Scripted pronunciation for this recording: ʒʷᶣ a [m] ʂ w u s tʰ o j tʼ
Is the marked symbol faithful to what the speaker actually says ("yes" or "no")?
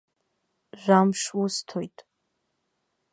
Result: yes